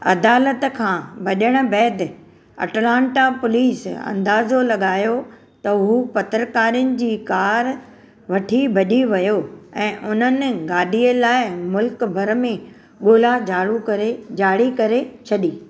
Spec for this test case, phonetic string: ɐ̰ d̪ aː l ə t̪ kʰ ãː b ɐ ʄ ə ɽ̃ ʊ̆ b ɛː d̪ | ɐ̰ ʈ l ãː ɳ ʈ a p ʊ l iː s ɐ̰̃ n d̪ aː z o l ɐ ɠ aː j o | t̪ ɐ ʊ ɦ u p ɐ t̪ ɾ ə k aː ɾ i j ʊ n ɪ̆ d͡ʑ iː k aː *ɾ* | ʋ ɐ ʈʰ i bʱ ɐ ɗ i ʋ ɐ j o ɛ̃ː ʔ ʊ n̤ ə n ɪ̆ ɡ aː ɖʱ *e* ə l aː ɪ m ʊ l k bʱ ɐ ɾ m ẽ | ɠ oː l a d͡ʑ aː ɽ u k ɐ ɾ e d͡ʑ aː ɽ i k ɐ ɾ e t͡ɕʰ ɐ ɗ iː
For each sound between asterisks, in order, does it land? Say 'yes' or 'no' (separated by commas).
yes, no